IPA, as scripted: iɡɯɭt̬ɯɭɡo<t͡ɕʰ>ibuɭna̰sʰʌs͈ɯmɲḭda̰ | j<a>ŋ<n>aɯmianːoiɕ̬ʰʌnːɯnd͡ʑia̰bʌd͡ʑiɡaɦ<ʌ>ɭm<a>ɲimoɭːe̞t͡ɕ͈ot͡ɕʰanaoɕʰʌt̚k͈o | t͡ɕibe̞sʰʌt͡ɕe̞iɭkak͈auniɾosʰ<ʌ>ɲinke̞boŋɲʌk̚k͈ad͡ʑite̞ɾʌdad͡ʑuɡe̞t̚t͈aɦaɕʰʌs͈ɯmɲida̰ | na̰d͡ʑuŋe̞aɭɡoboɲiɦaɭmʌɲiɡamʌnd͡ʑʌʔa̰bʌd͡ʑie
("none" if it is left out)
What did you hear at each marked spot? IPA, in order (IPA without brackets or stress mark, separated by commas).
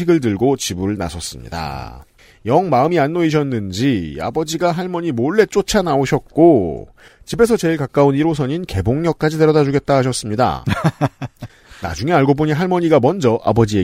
t͡ɕ, ʌ, m, a, ʌ, ʌ